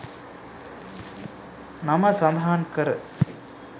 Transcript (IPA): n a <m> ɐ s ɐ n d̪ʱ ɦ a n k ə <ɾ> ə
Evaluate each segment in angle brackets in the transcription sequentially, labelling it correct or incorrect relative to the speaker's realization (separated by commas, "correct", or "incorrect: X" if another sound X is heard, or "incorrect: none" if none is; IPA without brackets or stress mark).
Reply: correct, correct